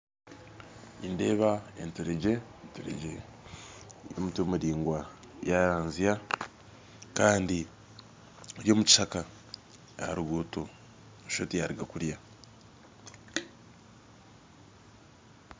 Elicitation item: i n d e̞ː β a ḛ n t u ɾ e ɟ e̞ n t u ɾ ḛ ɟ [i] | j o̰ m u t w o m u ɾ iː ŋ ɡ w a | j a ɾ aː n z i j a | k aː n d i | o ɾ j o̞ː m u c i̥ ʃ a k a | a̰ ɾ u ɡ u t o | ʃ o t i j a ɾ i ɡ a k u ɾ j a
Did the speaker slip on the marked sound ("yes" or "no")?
yes